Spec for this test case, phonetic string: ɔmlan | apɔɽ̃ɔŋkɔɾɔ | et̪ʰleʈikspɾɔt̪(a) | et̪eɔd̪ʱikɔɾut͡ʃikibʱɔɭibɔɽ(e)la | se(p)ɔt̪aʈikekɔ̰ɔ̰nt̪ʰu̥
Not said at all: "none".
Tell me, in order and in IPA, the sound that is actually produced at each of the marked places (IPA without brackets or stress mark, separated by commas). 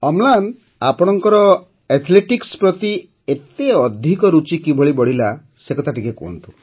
i, i, k